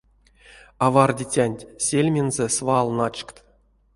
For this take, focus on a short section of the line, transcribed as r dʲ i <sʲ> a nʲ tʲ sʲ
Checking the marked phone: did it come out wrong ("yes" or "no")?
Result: yes